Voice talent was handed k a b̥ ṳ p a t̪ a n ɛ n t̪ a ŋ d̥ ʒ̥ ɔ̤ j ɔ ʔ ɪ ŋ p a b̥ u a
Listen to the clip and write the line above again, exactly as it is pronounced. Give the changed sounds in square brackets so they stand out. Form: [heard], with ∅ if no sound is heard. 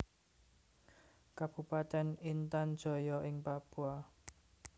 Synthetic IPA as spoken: k a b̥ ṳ p a t̪ [ɛ] n [i] n t̪ a [n] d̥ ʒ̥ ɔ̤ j ɔ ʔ ɪ ŋ p a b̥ u a

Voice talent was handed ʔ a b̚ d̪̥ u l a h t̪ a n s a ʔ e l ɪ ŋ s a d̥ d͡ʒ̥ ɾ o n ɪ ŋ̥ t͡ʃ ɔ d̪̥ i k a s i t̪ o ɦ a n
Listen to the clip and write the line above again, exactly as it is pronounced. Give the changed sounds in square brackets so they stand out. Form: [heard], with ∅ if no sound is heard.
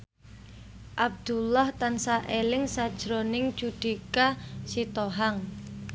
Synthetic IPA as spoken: ʔ a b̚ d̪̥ u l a h t̪ a n s a ʔ e l ɪ ŋ s a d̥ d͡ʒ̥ ɾ o n ɪ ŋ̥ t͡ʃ [u] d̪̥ i k a s i t̪ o ɦ a [ŋ]

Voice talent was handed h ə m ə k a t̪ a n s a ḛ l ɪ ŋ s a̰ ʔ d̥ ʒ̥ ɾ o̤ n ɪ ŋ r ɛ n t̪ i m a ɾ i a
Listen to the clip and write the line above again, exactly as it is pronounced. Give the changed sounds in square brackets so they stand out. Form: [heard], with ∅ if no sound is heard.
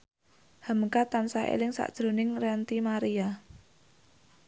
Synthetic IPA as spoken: h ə m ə k a t̪ a n s a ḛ l ɪ ŋ s a̰ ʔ d̥ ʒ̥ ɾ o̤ n ɪ ŋ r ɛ n t̪ i m a ɾ i a

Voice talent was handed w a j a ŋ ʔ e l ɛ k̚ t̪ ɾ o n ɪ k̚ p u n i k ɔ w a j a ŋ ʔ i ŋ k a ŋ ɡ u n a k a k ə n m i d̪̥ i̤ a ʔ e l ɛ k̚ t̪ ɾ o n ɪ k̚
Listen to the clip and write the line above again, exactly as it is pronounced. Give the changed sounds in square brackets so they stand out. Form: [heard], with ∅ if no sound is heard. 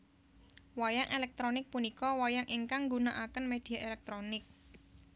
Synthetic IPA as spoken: w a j a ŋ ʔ e l ɛ k̚ t̪ ɾ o n ɪ k̚ p u n i k ɔ w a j a ŋ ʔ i ŋ k a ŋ ɡ u n a [ʔ] a k ə n m [e] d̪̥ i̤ a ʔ e l ɛ k̚ t̪ ɾ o n ɪ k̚

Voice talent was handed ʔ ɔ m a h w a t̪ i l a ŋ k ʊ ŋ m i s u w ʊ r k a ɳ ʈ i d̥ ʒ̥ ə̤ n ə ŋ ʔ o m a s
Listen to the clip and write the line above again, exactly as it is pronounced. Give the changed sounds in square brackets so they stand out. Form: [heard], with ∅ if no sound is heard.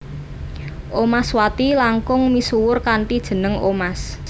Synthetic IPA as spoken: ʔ [o] m a [s] w a t̪ i l a ŋ k ʊ ŋ m i s u w ʊ r k a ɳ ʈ i d̥ ʒ̥ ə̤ n ə ŋ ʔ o m a s

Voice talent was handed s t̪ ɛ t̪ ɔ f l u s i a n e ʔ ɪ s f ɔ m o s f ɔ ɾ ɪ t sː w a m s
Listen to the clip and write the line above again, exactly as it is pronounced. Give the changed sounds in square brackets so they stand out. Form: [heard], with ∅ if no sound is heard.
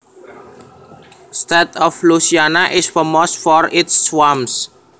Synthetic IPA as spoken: s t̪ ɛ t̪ ɔ f l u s i a n [a] ʔ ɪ s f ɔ m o s f ɔ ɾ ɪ t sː w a m s

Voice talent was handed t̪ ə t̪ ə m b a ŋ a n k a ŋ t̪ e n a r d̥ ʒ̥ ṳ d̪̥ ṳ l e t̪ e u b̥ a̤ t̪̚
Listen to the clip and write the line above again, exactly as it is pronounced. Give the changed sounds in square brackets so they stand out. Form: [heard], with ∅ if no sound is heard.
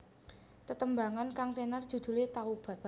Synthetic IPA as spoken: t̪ ə t̪ ə m b a ŋ a n k a ŋ t̪ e n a r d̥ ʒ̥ ṳ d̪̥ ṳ l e t̪ [a] u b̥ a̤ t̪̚

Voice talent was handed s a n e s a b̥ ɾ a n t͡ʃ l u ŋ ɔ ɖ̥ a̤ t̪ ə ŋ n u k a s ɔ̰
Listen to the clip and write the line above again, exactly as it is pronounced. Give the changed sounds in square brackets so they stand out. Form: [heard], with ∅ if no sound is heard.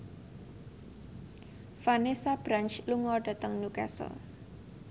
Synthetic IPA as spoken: [f] a n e s a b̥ ɾ a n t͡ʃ l u ŋ ɔ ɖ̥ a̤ t̪ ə ŋ n u k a s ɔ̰

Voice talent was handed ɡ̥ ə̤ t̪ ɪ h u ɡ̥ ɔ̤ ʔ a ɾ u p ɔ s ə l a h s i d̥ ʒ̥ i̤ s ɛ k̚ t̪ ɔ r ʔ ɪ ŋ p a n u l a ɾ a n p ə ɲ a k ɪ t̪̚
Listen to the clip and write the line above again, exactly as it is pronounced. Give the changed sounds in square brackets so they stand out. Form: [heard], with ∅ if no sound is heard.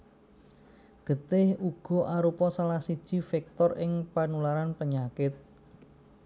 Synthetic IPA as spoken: ɡ̥ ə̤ t̪ ɪ h u ɡ̥ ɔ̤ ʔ a ɾ u p ɔ s [a] l a h s i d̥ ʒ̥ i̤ [f] ɛ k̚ t̪ ɔ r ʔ ɪ ŋ p a n u l a ɾ a n p ə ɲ a k ɪ t̪̚

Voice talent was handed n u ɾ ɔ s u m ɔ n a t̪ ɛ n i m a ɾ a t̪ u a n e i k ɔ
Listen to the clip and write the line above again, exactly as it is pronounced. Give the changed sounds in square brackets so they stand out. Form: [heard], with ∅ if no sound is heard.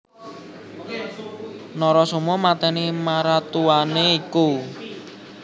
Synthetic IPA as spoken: n [ɔ] ɾ ɔ s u m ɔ [m] a t̪ ɛ n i m a ɾ a t̪ u a n e i k [u]

